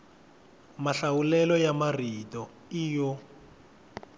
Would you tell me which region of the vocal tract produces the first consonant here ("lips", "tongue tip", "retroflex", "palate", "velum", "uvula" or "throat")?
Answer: lips